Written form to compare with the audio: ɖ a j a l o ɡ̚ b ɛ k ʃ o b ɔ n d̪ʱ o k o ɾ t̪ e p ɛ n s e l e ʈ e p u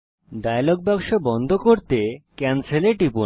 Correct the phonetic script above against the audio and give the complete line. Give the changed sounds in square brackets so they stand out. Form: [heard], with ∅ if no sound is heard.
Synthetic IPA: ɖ a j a l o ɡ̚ b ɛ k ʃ o b ɔ n d̪ʱ o k o ɾ t̪ e [k] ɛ n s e l e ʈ [i] p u

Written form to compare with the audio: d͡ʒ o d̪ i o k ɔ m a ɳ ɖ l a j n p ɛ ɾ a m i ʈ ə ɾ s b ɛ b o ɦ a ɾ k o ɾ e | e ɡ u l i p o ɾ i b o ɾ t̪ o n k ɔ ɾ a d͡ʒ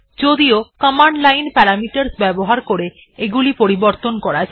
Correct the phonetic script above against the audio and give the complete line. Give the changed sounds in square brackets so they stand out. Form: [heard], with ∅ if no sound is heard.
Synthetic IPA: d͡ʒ o d̪ i o k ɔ m a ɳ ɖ l a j n p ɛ ɾ a m i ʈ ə ɾ s b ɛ b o ɦ a ɾ k o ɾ e | e ɡ u l i p o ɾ i b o ɾ t̪ o n k ɔ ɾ a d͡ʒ

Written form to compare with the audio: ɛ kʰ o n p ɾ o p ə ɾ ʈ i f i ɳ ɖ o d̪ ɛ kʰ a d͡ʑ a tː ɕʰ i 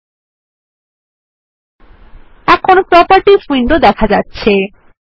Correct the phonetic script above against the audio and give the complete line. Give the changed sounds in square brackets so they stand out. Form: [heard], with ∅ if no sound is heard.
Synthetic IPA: ɛ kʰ o n p ɾ [ɔ] p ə ɾ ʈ i f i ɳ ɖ o d̪ ɛ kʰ a d͡ʑ a tː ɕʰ [e]

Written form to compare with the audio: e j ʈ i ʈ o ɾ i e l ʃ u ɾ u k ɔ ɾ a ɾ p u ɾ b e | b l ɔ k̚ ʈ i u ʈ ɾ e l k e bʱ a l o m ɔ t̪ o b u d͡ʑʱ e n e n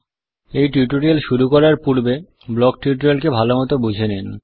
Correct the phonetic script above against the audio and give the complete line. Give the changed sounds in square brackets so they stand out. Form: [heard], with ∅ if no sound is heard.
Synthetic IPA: e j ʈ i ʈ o ɾ i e l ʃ u ɾ u k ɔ ɾ a ɾ p u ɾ b e | b l ɔ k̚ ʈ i u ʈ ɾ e l k e bʱ a l o m ɔ t̪ o b u d͡ʑʱ e n e n

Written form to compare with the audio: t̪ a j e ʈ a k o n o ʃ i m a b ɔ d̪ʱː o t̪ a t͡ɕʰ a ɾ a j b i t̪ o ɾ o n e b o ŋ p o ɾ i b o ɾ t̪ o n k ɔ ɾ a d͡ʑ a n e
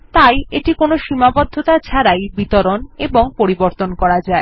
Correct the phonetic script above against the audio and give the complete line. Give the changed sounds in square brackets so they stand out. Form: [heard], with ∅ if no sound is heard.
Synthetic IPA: t̪ a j e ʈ [i] k o n o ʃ i m a b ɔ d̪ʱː o t̪ a t͡ɕʰ a ɾ a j b i t̪ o ɾ o n e b o ŋ p o ɾ i b o ɾ t̪ o n k ɔ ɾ a d͡ʑ a [∅] e

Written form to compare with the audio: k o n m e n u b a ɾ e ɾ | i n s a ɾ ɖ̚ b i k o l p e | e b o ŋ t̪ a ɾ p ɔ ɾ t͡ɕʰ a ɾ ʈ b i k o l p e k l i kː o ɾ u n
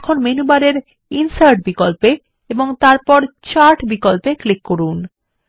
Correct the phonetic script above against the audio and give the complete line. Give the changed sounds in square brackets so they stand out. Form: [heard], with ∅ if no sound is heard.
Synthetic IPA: [kʰ] o n m e n u b a ɾ e ɾ | i n s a ɾ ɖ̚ b i k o l p e | e b o ŋ t̪ a ɾ p ɔ ɾ [t͡ɕ] a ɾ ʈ b i k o l p e k l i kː o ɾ u n

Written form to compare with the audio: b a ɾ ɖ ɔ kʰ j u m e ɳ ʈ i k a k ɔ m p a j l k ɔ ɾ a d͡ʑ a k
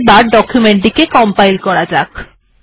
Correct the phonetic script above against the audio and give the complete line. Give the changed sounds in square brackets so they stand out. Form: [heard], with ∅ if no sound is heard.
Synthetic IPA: b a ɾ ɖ ɔ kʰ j u m e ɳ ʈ i k [e] k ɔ m p a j l k ɔ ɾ a d͡ʑ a k

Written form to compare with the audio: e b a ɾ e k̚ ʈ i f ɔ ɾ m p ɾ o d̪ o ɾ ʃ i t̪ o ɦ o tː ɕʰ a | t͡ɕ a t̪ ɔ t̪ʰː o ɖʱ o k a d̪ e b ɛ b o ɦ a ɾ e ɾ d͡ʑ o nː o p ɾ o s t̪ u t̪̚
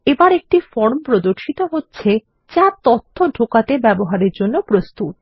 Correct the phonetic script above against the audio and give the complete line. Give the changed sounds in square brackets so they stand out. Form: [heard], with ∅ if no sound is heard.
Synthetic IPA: e b a ɾ e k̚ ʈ i f ɔ ɾ m p ɾ o d̪ o ɾ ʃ i t̪ o ɦ o tː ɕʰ [e] | t͡ɕ a t̪ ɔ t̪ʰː o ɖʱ o k a [t̪] e b ɛ b o ɦ a ɾ e ɾ d͡ʑ o nː o p ɾ o s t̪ u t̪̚

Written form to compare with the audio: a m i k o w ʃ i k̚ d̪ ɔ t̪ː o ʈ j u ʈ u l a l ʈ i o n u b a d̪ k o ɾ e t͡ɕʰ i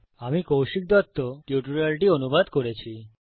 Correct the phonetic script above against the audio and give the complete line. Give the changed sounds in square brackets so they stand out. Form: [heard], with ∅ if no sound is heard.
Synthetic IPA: a m i k o w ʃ i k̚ d̪ ɔ t̪ː o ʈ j u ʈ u [ɾ] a l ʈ i o n u b a d̪ k o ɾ e t͡ɕʰ i

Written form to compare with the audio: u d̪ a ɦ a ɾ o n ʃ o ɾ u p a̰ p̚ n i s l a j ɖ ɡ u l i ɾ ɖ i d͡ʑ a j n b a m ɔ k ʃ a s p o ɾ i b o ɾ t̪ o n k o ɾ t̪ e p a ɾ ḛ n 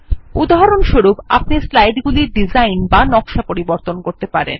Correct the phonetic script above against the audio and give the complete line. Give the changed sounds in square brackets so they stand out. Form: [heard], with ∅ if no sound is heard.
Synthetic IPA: u d̪ a ɦ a ɾ o n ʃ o ɾ u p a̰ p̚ n i s l a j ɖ ɡ u l i ɾ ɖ i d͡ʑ a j n b a [n] ɔ k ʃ a [∅] p o ɾ i b o ɾ t̪ o n k o ɾ t̪ e p a ɾ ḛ n

